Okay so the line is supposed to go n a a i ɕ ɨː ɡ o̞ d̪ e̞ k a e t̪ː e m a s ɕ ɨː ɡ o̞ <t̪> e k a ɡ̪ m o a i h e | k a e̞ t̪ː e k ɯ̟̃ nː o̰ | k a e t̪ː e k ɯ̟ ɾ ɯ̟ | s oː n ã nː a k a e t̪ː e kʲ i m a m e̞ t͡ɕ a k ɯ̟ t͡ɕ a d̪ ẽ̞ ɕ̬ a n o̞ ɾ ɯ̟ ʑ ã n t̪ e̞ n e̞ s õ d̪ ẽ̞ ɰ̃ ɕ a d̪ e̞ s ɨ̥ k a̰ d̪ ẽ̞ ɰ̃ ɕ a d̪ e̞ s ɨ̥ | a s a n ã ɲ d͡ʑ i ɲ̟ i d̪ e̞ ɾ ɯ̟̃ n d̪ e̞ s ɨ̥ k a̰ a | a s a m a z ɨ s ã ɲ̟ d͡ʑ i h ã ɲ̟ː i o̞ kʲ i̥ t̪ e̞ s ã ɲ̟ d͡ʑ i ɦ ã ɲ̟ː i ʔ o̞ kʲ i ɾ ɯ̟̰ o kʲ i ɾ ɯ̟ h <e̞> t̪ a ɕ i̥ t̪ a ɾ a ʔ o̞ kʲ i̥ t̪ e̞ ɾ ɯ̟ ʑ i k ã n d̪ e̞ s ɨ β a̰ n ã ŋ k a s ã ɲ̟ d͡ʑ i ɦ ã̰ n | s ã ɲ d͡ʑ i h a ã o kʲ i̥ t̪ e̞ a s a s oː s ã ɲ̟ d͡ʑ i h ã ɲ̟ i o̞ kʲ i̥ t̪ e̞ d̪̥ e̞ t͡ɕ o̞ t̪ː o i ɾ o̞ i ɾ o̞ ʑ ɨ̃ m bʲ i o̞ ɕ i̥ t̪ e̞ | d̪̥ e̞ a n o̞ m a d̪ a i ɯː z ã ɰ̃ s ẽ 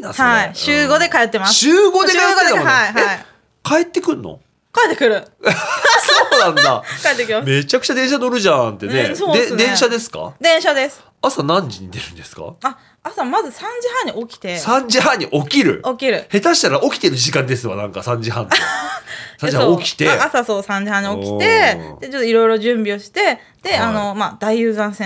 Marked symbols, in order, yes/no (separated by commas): no, yes